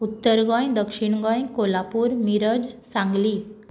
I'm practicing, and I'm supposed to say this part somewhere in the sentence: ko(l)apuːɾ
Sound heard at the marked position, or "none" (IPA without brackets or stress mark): l